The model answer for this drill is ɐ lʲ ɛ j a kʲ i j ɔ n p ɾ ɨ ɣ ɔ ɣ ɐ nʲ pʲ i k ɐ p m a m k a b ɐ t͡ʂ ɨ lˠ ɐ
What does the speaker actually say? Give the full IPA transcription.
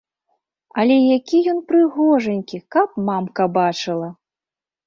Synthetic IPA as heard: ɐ lʲ ɛ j a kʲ i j ɔ n p ɾ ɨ ɣ ɔ ʐ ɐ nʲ kʲ i k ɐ p m a m k ɐ b a t͡ʂ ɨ lˠ ɐ